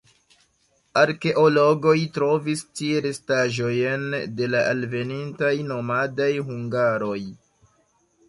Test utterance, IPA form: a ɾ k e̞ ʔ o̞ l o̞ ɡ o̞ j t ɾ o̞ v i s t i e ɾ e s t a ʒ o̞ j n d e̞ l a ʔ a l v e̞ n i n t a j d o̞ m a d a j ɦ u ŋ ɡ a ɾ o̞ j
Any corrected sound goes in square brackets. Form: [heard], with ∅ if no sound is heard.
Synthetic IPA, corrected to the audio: a ɾ k e̞ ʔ o̞ l o̞ ɡ o̞ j t ɾ o̞ v i s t i e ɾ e s t a ʒ o̞ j n d e̞ l a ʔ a l v e̞ n i n t a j [n] o̞ m a d a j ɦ u ŋ ɡ a ɾ o̞ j